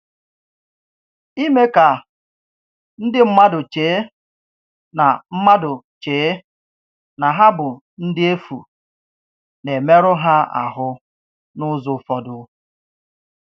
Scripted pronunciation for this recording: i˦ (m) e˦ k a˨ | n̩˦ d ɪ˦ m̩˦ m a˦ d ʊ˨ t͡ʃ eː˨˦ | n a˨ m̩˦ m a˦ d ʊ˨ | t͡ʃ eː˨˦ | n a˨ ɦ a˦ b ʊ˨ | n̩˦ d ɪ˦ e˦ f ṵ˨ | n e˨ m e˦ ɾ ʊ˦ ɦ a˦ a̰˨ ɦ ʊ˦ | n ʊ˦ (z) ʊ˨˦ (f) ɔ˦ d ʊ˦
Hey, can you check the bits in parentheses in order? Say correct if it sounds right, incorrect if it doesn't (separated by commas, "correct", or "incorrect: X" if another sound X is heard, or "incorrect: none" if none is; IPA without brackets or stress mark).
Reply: correct, correct, correct